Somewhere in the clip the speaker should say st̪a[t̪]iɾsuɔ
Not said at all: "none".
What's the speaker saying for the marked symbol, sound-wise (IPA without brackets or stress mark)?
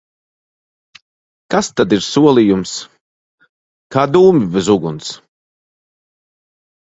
d̪